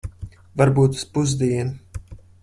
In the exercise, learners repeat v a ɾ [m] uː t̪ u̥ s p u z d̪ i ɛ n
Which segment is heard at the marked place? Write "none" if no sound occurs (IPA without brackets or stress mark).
b